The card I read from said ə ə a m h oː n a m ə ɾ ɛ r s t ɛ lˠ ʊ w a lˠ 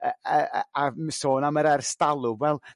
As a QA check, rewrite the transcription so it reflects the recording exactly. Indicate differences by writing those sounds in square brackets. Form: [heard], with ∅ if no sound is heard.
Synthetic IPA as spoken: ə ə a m [s] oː n a m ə ɾ ɛ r s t [a] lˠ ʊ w [ɛ] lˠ